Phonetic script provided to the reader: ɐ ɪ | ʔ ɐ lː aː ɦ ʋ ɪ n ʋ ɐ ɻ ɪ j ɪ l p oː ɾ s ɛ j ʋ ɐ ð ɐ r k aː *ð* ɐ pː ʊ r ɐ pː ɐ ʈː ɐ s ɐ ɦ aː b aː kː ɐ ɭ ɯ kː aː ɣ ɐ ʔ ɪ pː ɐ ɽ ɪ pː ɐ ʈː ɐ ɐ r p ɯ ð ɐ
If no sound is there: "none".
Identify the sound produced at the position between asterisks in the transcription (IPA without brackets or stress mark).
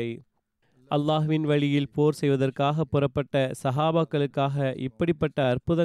ɣ